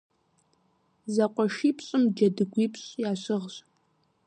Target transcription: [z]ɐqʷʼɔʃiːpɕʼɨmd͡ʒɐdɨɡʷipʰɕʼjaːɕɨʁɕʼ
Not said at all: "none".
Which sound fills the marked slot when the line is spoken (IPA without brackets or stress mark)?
z